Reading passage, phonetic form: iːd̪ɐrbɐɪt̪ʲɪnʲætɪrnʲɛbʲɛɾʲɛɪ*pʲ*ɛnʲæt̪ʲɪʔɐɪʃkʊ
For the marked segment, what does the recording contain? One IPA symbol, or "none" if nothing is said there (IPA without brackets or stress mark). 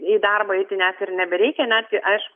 kʲ